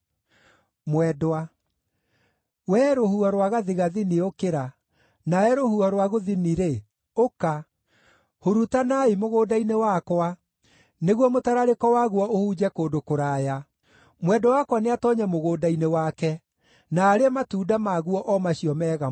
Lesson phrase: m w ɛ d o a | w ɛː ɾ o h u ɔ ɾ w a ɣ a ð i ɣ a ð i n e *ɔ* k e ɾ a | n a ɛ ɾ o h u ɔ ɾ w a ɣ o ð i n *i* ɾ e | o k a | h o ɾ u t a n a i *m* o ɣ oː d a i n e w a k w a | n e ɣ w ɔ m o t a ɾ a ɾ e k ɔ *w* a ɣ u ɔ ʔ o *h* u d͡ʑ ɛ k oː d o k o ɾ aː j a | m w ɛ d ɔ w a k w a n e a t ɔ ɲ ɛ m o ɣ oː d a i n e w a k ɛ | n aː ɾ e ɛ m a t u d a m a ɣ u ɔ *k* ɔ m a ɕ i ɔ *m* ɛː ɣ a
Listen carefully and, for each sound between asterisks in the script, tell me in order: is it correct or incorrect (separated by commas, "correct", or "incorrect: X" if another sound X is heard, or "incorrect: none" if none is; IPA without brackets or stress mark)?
incorrect: o, correct, correct, correct, correct, incorrect: ʔ, correct